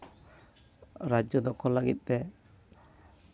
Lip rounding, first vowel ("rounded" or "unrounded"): unrounded